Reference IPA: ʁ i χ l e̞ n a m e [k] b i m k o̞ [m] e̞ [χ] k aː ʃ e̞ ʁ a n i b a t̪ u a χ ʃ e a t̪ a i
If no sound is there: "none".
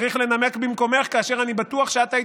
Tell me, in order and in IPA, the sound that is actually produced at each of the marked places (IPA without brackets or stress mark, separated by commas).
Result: k, m, χ